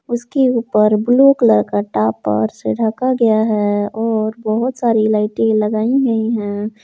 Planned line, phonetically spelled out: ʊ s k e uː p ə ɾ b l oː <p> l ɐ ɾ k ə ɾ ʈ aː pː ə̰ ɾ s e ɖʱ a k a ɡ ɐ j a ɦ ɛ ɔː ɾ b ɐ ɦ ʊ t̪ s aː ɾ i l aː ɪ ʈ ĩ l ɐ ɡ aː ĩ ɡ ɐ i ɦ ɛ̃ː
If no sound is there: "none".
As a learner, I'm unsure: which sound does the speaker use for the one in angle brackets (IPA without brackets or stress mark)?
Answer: k